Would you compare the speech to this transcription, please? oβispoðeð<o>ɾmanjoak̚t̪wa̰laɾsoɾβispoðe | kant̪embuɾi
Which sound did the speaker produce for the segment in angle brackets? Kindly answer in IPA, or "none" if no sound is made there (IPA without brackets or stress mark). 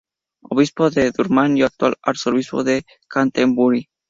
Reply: u